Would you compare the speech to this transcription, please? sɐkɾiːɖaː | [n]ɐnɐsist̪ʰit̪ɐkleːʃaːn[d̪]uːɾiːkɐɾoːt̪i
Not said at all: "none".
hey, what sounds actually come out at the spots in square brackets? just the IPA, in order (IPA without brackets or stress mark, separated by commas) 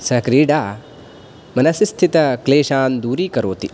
m, d̪